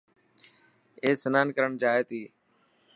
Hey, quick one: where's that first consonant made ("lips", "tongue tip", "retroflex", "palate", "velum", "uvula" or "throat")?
tongue tip